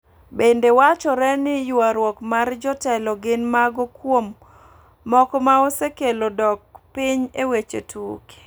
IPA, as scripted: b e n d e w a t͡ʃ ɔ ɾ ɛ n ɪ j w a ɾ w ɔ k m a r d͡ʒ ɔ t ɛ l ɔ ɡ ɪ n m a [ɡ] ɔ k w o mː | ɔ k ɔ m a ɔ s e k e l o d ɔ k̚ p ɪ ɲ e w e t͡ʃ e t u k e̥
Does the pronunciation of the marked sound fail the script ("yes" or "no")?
no